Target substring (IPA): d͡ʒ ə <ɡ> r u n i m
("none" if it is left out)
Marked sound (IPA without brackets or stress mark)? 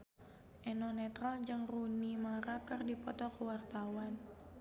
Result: ŋ